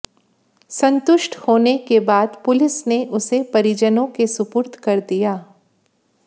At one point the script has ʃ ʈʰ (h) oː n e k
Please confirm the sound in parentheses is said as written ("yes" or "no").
yes